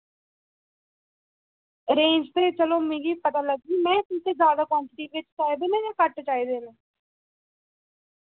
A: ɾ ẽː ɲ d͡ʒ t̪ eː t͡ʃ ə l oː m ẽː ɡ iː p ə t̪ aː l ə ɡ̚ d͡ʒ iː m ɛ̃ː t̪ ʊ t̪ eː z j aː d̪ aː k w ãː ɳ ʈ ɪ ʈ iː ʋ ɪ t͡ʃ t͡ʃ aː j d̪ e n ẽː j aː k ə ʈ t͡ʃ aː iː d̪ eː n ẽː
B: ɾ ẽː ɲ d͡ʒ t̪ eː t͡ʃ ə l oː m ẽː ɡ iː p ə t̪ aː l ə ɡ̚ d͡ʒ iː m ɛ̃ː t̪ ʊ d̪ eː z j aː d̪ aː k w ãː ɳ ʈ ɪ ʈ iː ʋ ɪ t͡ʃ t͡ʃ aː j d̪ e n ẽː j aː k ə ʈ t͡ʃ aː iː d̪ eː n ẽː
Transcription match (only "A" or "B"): A